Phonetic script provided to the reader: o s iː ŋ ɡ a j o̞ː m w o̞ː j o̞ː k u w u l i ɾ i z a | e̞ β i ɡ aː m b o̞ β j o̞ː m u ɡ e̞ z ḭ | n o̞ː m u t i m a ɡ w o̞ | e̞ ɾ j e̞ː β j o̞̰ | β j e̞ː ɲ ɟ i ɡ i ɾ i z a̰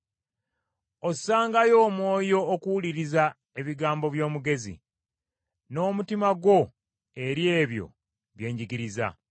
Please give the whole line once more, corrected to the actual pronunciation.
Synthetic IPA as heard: o s aː ŋ ɡ a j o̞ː m w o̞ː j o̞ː k u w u l i ɾ i z a | e̞ β i ɡ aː m b o̞ β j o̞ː m u ɡ e̞ z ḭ | n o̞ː m u t i m a ɡ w o̞ | e̞ ɾ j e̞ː β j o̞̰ | β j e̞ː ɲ ɟ i ɡ i ɾ i z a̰